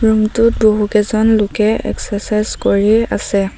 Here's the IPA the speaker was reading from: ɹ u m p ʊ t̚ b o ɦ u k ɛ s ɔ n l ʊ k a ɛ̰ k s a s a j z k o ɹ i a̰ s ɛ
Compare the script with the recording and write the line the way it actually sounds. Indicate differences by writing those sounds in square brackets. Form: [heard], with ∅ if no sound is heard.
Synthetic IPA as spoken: ɹ u m [t] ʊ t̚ b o ɦ u k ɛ [z] ɔ n l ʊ k [ɛ] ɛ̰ k s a s a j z k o ɹ i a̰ s ɛ